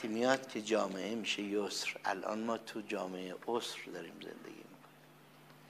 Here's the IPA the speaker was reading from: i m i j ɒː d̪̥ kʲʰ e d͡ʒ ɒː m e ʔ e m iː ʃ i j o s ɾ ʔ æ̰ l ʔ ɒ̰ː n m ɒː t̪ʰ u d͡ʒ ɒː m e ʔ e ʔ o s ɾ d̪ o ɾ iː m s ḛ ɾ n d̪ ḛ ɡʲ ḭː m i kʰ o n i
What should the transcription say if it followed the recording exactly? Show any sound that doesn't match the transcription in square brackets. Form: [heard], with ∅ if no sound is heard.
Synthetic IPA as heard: i m i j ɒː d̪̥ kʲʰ e d͡ʒ ɒː m e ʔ e m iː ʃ [e] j o s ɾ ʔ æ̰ l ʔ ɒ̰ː n m ɒː t̪ʰ u d͡ʒ ɒː m e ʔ e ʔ o s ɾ d̪ [ɒ] ɾ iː m [z] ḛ [∅] n d̪ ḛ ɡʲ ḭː m i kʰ o n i